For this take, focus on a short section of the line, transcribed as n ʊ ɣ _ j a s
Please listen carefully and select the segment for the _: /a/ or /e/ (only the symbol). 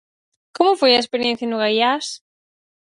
a